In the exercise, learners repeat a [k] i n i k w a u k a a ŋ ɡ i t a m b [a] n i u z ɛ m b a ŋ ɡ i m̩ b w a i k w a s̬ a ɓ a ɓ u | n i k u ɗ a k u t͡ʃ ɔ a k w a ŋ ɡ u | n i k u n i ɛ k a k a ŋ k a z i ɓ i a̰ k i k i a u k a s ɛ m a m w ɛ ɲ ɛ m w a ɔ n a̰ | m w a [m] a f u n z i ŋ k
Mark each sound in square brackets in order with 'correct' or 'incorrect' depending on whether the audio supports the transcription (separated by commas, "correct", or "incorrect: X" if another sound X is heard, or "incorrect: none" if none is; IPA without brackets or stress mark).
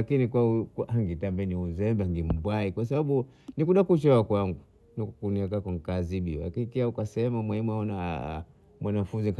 correct, incorrect: ɛ, incorrect: n